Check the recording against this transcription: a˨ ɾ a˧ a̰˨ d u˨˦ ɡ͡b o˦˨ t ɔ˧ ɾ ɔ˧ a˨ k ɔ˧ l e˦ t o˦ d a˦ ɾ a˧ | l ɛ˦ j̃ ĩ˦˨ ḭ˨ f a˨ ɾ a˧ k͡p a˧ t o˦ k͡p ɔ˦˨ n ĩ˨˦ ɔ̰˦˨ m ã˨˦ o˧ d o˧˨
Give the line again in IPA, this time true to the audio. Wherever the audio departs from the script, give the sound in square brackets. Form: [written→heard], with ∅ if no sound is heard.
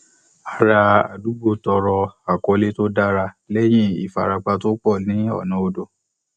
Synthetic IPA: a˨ ɾ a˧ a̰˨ d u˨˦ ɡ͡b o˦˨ t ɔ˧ ɾ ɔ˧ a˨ k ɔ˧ l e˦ t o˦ d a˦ ɾ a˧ | l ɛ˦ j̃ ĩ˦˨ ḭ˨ f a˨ ɾ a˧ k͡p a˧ t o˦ k͡p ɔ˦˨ n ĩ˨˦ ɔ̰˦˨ [m→n] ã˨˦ o˧ d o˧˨